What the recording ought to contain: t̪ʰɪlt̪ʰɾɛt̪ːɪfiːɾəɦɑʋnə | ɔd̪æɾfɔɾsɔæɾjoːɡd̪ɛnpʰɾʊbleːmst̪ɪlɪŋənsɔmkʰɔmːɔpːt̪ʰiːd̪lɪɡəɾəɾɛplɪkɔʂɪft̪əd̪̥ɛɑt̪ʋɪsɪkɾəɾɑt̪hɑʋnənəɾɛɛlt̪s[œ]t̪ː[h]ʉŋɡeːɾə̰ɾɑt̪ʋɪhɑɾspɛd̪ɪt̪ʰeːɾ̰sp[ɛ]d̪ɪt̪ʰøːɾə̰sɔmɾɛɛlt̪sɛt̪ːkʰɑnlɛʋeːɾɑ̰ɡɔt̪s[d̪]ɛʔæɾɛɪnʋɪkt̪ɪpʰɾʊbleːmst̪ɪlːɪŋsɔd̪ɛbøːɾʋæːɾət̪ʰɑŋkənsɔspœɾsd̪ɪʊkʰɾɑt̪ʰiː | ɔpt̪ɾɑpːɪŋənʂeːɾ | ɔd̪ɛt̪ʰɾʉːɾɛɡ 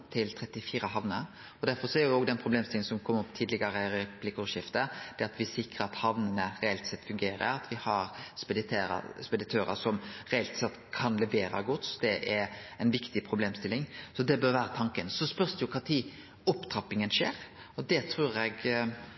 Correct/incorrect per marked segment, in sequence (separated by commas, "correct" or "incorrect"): incorrect, incorrect, correct, correct